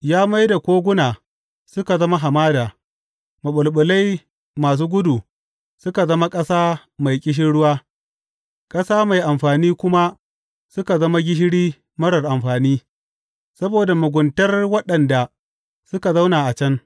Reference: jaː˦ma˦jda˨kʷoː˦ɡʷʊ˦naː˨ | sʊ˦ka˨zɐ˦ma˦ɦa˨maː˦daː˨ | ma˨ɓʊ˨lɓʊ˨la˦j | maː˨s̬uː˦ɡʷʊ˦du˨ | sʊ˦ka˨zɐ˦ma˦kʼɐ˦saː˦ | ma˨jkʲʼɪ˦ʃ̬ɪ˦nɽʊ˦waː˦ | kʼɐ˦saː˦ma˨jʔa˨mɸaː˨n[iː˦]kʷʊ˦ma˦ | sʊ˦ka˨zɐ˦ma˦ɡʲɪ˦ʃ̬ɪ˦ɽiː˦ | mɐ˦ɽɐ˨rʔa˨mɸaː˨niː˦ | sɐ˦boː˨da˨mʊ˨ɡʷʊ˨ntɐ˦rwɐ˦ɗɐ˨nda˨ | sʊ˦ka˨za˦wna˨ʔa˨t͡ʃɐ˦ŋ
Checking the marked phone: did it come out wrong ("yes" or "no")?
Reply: no